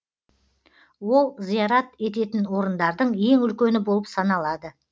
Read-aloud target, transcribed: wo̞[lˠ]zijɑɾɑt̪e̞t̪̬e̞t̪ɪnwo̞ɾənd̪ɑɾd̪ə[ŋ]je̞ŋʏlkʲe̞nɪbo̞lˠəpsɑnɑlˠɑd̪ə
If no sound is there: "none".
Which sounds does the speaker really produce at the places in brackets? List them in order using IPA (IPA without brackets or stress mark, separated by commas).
lˠ, ɴ